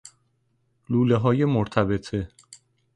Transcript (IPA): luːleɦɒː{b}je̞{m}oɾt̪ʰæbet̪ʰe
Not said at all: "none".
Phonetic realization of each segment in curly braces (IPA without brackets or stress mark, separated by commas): none, m